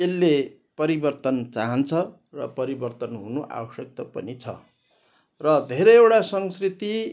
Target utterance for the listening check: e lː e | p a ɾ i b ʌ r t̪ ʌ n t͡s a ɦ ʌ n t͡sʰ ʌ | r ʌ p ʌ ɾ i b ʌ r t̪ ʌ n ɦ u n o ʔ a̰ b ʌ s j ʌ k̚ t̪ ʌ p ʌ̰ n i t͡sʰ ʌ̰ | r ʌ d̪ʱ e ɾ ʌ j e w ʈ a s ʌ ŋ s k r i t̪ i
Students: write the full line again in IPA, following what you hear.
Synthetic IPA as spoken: e lː e | p ʌ ɾ i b ʌ r t̪ ʌ n t͡s a ɦ ʌ n t͡sʰ ʌ | r ʌ p ʌ ɾ i b ʌ r t̪ ʌ n ɦ u n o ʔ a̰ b ʌ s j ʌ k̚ t̪ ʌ p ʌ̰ n i t͡sʰ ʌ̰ | r ʌ d̪ʱ e ɾ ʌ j e w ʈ a s ʌ ŋ s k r i t̪ i